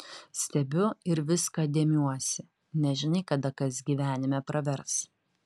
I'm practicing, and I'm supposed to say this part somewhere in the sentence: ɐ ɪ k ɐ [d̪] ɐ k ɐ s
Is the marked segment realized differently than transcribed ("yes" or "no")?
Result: no